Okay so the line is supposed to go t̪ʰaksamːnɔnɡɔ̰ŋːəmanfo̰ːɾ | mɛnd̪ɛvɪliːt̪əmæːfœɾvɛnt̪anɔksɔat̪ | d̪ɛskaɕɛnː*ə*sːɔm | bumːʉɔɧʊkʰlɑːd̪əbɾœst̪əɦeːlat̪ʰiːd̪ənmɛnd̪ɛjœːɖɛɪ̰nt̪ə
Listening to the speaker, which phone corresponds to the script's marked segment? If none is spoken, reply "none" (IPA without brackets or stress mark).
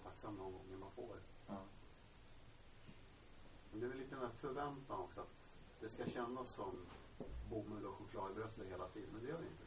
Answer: a